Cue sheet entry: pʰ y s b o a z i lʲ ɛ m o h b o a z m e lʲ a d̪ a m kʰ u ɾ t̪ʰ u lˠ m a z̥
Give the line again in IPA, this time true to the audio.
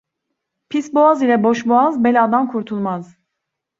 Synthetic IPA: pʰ i s b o a z i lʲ ɛ b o ʃ b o a z b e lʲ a d̪ a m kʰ u ɾ t̪ʰ u lˠ m a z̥